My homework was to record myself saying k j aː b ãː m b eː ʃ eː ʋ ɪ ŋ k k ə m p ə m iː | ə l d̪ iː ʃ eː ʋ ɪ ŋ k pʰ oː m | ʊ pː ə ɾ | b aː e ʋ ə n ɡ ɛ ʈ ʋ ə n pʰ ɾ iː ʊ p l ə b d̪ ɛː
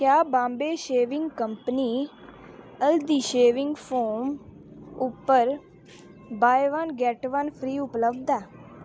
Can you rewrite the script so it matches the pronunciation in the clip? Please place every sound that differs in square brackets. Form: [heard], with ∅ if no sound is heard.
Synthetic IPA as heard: k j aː b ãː m b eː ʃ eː ʋ ɪ ŋ [ɡ] k ə m p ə [n] iː | ə l d̪ iː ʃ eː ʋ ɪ ŋ [ɡ] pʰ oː m | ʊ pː ə ɾ | b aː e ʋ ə n ɡ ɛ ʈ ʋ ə n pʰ ɾ iː ʊ p l ə b d̪ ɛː